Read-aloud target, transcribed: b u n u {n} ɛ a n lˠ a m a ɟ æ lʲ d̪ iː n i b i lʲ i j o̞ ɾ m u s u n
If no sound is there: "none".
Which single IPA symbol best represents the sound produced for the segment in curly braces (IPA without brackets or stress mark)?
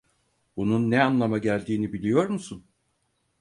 nː